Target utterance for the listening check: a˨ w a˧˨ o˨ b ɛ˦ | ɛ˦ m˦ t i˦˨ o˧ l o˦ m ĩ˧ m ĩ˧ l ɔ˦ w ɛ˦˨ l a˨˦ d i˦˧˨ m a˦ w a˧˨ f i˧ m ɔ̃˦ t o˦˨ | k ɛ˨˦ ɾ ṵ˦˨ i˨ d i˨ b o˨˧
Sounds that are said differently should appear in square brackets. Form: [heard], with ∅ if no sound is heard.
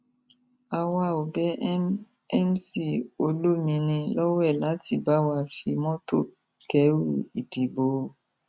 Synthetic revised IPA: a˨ w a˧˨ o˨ b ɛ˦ | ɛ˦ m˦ [s] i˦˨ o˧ l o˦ m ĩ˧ [n] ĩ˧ l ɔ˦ w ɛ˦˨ l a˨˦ [t] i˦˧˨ [b] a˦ w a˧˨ f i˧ m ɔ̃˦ t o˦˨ | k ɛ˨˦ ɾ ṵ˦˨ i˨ d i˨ b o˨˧

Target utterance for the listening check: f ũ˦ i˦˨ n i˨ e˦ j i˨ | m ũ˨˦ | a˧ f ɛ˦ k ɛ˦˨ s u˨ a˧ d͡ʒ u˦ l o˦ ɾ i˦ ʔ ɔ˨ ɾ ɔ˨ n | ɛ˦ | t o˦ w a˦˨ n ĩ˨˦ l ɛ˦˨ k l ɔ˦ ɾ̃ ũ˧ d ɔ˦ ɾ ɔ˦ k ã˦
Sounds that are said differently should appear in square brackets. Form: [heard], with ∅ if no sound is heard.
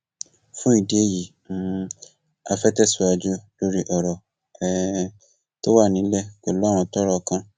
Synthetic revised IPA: f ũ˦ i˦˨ [d] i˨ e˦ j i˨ | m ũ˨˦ | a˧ f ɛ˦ [t] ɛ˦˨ s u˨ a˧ d͡ʒ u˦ l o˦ ɾ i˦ ʔ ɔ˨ ɾ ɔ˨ [∅] | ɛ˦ | t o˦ w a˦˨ n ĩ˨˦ l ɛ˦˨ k l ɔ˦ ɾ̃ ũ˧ [t] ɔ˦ ɾ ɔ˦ k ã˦

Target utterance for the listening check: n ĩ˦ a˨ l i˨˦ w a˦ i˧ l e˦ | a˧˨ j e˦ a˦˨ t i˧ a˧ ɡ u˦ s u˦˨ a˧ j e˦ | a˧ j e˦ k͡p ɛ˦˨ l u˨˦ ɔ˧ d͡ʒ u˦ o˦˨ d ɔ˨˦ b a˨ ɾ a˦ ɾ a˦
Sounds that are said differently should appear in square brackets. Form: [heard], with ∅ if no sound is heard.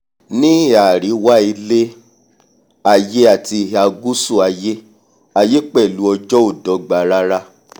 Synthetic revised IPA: n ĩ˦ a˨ [ɾ] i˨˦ w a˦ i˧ l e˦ | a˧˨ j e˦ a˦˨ t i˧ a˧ ɡ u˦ s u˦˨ a˧ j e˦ | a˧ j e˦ k͡p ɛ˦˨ l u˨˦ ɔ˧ d͡ʒ [ɔ˦] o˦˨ d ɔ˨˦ [ɡ͡b] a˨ ɾ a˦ ɾ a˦

